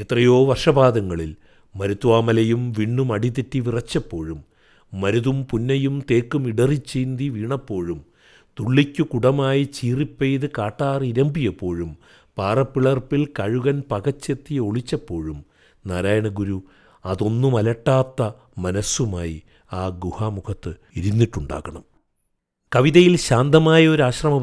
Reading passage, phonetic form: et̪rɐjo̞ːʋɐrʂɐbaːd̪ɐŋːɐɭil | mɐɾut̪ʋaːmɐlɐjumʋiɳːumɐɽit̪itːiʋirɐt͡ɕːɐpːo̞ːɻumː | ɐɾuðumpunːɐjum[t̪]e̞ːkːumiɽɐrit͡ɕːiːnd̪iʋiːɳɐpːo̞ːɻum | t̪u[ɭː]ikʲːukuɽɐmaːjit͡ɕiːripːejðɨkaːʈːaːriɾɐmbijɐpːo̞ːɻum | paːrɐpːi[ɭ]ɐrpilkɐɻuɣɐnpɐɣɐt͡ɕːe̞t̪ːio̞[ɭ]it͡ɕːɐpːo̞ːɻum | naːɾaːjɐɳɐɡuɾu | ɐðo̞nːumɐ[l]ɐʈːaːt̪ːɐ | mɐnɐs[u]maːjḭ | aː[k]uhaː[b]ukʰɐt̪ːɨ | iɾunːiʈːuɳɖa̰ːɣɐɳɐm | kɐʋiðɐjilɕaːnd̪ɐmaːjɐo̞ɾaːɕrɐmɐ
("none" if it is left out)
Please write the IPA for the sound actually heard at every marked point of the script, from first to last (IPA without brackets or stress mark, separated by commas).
t̪, ɭː, ɭ, ɭ, l, u, ɡ, m